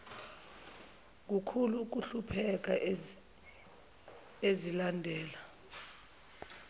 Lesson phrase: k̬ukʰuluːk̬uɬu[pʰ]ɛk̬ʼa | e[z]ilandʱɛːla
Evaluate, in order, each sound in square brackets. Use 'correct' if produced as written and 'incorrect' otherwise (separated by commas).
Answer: correct, correct